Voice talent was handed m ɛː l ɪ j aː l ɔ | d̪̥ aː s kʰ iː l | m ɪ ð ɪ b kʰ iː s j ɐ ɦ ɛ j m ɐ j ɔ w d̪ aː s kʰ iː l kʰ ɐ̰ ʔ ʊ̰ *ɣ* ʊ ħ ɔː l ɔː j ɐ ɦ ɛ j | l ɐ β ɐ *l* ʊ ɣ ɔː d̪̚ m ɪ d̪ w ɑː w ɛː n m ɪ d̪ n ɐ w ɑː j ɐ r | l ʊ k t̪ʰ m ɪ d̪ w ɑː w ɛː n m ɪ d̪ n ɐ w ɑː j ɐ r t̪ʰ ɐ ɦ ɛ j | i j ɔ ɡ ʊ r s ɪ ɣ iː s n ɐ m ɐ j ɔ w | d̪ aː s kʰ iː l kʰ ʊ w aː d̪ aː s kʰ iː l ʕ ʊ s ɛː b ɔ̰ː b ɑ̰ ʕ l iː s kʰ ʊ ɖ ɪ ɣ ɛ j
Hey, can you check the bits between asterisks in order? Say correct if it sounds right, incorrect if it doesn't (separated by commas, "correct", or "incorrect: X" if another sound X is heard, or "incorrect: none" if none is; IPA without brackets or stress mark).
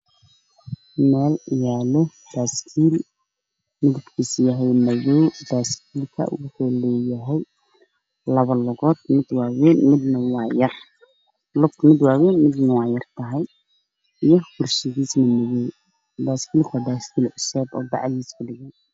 incorrect: w, correct